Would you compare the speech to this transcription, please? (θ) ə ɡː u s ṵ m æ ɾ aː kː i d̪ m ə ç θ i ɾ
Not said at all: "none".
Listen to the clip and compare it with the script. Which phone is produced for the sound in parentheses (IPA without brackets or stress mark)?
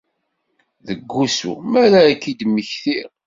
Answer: ð